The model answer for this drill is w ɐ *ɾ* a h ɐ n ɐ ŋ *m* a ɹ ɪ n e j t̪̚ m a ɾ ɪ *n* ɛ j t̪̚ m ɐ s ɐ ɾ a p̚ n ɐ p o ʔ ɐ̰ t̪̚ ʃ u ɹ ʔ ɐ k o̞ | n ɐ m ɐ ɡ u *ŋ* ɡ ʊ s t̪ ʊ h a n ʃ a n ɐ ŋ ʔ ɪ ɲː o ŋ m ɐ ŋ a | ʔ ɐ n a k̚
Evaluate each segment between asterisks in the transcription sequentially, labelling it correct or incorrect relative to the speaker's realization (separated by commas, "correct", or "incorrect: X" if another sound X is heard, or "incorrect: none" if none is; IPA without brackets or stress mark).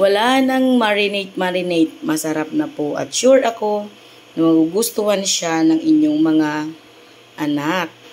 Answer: incorrect: l, correct, correct, incorrect: none